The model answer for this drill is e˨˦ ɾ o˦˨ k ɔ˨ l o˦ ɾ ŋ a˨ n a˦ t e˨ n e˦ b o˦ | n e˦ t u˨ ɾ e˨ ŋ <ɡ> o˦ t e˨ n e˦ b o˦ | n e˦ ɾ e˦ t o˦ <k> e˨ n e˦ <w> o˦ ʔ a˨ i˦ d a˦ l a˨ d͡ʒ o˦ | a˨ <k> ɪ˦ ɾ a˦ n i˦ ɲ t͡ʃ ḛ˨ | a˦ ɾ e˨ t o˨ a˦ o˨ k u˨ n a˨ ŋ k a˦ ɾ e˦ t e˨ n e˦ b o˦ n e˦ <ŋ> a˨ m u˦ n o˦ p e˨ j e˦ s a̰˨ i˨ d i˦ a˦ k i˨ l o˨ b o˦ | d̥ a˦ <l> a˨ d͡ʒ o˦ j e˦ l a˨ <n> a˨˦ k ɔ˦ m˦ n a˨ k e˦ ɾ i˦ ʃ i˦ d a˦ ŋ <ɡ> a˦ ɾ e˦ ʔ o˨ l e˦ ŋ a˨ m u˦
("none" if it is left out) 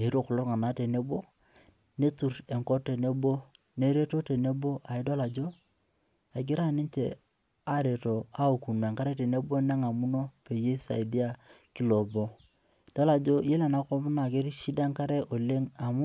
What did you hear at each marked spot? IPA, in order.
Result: k, t, b, ɡ, ŋ, l, n, k

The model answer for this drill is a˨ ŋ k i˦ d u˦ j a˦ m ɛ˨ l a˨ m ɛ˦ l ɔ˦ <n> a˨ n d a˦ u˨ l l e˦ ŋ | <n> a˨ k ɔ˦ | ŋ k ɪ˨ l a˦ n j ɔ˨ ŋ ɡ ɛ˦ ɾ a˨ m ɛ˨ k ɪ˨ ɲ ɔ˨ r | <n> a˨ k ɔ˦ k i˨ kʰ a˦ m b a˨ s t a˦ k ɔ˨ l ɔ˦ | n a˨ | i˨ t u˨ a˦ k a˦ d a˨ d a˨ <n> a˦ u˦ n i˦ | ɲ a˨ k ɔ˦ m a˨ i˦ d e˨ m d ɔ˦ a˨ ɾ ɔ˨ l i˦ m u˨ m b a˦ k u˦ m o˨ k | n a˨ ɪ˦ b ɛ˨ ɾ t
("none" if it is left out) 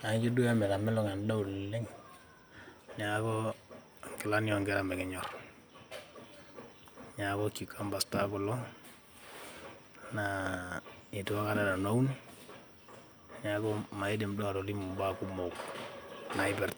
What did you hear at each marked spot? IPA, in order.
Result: ŋ, ɲ, ɲ, n

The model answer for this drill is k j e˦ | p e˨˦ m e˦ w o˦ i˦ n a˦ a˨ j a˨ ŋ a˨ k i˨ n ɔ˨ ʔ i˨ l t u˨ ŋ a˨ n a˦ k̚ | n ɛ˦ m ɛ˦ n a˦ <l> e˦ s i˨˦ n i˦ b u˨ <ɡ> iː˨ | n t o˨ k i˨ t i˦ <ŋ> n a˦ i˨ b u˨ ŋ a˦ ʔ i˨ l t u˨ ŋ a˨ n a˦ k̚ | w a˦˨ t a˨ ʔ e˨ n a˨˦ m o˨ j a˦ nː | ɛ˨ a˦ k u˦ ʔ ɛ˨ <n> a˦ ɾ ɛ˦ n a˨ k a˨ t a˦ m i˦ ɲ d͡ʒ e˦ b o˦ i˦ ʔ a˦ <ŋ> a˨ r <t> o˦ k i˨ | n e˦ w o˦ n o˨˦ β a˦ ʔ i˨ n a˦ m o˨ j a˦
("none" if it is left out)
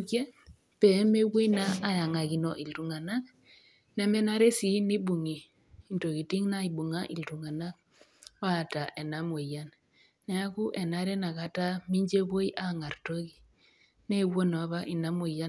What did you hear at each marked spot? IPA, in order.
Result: ɾ, ŋ, ŋ, n, ŋ, t

